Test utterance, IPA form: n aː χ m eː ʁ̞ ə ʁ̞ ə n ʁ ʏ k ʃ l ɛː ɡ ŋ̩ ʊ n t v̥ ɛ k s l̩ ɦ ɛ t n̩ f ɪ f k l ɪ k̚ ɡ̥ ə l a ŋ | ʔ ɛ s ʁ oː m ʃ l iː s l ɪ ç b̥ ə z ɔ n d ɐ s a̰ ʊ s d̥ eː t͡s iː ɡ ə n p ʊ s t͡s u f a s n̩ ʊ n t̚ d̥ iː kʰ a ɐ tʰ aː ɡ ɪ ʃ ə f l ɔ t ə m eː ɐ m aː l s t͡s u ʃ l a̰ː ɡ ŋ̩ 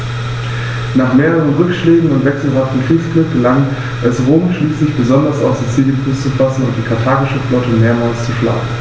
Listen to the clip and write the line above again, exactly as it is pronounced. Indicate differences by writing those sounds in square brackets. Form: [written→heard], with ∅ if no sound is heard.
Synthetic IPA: n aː χ m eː ʁ̞ ə ʁ̞ ə n ʁ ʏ k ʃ l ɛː ɡ ŋ̩ ʊ n t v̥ ɛ k s l̩ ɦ [ɛ→a] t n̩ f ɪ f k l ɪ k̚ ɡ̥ ə l a ŋ | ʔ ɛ s ʁ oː m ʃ l iː s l ɪ ç b̥ ə z ɔ n d ɐ s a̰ ʊ s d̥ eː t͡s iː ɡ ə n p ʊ s t͡s u f a s n̩ ʊ n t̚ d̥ iː kʰ a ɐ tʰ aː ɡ ɪ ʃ ə f l ɔ t ə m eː ɐ m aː l s t͡s u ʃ l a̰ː ɡ ŋ̩